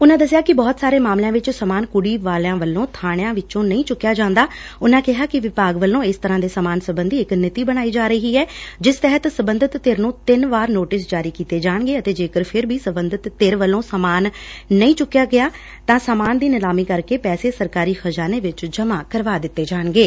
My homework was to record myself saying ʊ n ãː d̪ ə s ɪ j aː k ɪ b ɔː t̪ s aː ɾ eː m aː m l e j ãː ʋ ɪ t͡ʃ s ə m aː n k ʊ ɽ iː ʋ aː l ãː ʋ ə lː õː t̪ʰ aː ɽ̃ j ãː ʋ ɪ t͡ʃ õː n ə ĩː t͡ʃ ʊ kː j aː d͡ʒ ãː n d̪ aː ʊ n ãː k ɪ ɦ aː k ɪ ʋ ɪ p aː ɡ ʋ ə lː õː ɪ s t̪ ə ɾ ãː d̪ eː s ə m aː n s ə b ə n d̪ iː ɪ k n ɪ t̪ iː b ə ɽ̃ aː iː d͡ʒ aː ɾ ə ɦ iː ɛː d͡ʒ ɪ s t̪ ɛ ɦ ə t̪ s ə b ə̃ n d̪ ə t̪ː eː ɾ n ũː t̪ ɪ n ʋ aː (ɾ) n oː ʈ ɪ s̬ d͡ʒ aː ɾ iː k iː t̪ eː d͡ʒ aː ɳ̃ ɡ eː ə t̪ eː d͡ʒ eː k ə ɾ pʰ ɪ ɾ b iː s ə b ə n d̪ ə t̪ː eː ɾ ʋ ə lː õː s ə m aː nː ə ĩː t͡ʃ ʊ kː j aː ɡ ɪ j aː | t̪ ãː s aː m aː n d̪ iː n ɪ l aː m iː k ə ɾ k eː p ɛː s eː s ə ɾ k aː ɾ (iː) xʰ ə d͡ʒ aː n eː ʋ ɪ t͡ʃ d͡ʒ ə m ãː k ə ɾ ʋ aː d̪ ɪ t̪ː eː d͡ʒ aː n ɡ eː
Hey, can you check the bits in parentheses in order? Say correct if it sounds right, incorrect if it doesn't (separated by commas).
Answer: correct, correct